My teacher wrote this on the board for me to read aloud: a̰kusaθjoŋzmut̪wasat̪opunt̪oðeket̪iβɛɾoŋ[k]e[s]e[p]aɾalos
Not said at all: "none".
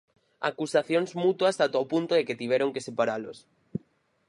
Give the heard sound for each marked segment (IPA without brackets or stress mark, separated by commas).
k, s, p